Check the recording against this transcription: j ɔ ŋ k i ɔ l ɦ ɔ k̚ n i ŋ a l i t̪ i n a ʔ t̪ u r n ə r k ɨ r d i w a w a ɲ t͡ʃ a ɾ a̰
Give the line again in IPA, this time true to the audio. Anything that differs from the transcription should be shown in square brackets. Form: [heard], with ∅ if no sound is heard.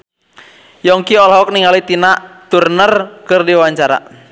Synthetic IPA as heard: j ɔ ŋ k i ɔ l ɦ ɔ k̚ n i ŋ a l i t̪ i n a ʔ t̪ u r n ə r k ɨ r d i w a w a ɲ t͡ʃ a ɾ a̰